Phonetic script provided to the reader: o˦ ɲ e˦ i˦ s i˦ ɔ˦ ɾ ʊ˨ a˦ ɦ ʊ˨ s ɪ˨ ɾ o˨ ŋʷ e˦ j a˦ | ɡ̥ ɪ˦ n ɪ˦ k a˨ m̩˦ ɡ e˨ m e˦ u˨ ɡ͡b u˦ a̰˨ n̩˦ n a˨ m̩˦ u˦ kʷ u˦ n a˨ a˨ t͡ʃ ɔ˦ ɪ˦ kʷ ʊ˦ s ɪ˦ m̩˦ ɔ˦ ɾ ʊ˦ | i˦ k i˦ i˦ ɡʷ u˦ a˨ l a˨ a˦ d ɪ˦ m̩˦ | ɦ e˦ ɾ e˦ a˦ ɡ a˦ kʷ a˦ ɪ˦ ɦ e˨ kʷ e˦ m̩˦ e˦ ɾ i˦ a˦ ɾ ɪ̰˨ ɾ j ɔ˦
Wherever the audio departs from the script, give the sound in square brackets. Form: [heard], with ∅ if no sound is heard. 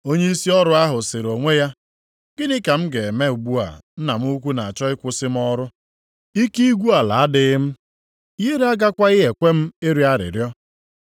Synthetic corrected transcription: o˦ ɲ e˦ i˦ s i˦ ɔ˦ ɾ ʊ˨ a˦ ɦ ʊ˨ s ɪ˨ ɾ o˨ ŋʷ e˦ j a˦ | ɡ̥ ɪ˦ n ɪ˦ k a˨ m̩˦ ɡ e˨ m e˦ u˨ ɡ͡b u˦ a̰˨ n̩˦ n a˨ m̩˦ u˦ kʷ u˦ n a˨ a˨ t͡ʃ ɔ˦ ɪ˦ kʷ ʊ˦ s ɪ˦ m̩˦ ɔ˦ ɾ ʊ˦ | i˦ k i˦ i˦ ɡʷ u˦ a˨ l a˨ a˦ d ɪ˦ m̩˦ | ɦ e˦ ɾ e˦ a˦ ɡ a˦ kʷ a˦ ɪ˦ ɦ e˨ kʷ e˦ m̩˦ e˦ ɾ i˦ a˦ ɾ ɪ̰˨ ɾ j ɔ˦